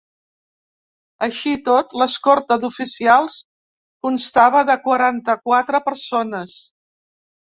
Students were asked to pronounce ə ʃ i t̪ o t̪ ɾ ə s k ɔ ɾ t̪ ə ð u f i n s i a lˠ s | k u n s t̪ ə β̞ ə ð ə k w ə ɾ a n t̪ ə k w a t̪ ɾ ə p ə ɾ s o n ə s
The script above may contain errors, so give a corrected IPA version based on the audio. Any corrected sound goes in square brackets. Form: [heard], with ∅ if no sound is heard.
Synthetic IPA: ə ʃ i t̪ o t̪ [l] ə s k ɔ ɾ t̪ ə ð u f i [∅] s i a lˠ s | k u n s t̪ [a] β̞ ə ð ə k w ə ɾ a n t̪ ə k w a t̪ ɾ ə p ə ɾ s o n ə s